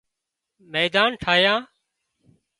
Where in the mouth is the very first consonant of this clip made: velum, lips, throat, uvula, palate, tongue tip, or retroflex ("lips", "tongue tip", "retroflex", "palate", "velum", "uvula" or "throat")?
lips